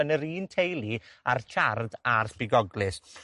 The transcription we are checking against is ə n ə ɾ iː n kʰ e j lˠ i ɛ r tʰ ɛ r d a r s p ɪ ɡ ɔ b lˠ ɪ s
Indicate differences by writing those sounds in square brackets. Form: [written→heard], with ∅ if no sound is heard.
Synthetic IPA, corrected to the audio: ə n ə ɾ iː n [kʰ→tʰ] e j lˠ i [ɛ→a] r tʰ [ɛ→a] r d a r s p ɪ ɡ ɔ [b→ɡ] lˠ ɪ s